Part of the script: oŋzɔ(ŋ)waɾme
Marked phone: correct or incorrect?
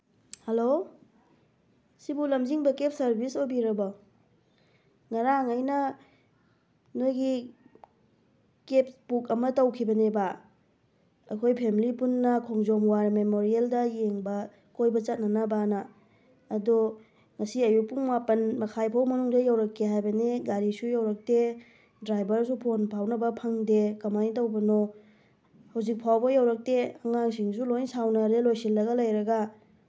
incorrect